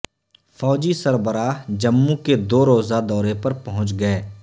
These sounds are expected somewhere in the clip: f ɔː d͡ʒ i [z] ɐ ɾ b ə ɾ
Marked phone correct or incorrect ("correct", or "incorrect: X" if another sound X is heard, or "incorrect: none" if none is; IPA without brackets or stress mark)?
incorrect: s